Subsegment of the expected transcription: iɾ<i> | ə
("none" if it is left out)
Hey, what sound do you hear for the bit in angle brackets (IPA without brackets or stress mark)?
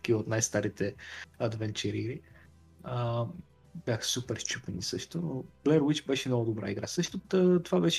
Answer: i